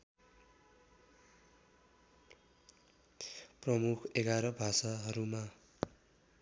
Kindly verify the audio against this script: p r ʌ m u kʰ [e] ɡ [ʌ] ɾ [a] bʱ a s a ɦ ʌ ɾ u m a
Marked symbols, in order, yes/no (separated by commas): yes, no, no